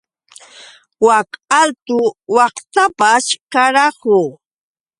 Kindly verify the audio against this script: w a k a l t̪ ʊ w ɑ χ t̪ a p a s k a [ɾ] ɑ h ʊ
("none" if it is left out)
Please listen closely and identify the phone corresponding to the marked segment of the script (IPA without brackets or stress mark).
ɾ